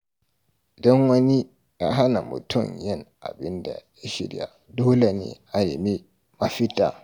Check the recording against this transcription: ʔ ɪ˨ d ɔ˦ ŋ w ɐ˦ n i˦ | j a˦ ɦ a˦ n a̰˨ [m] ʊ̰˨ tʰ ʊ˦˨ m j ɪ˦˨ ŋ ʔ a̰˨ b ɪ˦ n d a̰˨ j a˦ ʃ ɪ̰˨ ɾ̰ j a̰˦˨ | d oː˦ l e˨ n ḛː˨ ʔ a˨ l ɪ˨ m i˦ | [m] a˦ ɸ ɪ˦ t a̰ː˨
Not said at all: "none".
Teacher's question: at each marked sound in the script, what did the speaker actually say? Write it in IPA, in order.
m, m

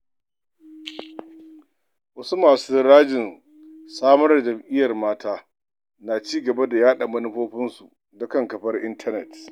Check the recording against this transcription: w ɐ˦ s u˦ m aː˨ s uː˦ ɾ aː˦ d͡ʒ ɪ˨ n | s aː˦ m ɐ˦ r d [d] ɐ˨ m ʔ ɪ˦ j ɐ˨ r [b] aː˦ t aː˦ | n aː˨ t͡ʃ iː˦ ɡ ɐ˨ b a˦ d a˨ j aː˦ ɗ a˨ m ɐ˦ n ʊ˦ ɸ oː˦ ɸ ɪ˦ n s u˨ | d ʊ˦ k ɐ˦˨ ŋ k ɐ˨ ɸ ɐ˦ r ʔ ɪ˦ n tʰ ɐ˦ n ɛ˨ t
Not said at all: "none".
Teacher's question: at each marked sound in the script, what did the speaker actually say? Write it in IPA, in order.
d͡ʒ, m

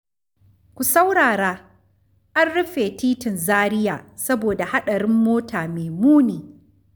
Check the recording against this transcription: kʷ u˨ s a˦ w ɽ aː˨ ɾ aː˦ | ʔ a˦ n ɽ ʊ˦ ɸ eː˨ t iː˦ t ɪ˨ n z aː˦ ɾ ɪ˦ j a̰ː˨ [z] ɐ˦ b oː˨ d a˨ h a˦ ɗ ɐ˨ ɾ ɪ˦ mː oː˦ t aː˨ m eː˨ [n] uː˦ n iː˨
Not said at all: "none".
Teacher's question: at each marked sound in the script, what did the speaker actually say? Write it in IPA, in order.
s, m

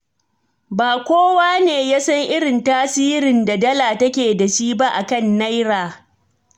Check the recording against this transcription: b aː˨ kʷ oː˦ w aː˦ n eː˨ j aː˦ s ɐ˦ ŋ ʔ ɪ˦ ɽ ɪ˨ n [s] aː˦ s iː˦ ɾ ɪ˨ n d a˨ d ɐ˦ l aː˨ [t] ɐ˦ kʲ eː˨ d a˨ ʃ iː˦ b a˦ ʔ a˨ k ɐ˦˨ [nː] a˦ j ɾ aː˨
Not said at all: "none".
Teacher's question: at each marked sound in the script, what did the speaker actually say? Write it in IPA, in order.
t, t, nː

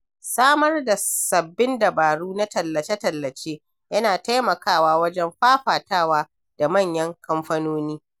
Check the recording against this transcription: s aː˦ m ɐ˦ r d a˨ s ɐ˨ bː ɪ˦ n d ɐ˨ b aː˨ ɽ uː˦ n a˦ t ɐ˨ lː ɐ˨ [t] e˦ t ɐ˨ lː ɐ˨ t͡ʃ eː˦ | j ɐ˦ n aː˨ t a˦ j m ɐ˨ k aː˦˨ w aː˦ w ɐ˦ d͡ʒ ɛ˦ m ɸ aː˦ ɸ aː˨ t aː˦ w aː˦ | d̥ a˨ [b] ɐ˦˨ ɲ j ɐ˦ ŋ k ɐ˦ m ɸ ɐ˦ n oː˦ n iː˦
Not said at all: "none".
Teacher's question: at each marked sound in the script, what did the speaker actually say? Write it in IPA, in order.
t͡ʃ, m

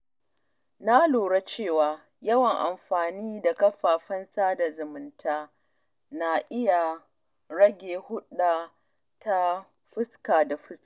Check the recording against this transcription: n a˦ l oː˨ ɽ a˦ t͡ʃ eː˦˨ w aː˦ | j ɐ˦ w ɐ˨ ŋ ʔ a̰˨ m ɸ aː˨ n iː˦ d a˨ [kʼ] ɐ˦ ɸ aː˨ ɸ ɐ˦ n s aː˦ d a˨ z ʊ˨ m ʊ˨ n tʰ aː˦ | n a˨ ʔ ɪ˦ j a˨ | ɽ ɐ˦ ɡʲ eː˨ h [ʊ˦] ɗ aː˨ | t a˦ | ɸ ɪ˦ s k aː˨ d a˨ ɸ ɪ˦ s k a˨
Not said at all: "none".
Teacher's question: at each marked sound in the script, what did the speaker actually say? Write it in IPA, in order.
k, ʊ˦

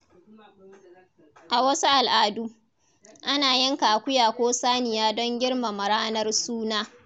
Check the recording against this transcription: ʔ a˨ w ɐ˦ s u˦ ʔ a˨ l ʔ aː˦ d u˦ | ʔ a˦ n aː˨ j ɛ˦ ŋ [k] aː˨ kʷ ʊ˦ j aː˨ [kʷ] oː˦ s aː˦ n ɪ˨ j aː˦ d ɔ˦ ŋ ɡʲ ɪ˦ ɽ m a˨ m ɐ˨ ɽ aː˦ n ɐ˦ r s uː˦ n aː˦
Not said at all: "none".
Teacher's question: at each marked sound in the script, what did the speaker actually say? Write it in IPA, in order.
k, kʷ

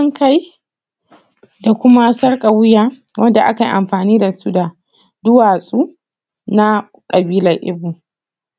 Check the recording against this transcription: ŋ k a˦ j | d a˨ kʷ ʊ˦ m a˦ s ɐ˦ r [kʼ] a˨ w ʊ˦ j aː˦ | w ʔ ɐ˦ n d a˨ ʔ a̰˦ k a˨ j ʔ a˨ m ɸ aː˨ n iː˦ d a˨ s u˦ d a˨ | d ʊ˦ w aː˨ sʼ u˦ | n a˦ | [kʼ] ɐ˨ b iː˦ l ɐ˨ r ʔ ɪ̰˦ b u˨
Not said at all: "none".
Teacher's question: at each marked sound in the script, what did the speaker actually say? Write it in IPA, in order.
kʼ, kʼ

